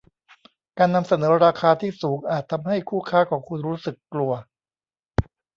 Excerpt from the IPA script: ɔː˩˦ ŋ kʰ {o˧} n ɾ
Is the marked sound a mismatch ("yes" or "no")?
yes